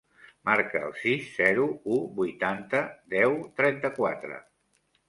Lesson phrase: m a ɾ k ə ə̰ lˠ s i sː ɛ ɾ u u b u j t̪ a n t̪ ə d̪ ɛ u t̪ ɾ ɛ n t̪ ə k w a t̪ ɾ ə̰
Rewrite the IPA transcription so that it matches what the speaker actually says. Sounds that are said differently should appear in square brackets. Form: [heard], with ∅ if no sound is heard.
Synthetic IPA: m a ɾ k ə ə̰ lˠ s i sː ɛ ɾ u u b u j t̪ a n t̪ ə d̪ ɛ [w] t̪ ɾ ɛ n t̪ ə k w a t̪ ɾ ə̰